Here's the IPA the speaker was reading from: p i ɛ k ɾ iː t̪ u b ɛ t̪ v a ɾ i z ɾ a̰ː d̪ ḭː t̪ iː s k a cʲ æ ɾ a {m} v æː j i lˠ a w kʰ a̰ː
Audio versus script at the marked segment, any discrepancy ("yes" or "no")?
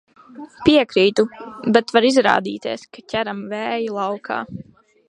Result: no